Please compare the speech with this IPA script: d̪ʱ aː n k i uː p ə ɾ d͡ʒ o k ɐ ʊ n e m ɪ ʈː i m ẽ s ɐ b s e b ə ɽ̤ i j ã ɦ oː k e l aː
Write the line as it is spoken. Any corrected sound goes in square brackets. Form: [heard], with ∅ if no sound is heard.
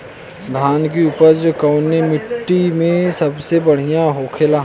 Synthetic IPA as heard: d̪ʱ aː n k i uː p ə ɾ d͡ʒ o k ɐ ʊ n e m ɪ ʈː i m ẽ s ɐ b s e b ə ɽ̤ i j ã ɦ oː [kʰ] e l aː